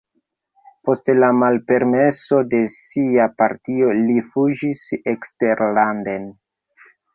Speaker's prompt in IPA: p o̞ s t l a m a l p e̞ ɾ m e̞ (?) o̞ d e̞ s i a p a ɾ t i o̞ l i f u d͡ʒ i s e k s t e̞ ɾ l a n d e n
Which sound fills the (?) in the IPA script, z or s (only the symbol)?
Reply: s